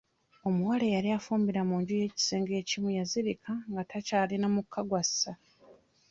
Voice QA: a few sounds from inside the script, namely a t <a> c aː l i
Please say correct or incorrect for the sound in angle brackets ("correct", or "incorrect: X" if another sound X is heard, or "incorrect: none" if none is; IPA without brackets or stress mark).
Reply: correct